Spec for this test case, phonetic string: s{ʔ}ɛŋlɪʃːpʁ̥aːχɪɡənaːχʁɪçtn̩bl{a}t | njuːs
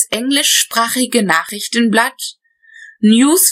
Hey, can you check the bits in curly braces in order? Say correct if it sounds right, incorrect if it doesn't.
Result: correct, correct

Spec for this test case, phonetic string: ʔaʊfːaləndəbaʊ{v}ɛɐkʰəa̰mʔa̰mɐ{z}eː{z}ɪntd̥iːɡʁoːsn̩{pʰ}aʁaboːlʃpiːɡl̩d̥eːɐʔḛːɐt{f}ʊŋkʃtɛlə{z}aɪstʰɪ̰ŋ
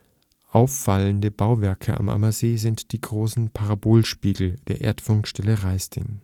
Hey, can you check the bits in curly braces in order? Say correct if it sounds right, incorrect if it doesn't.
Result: correct, correct, correct, correct, correct, incorrect: ʁ

